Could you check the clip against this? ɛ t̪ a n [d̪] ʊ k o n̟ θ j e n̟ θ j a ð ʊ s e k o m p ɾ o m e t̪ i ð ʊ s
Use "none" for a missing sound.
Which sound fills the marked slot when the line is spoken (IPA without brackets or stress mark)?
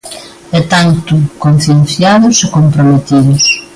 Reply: t̪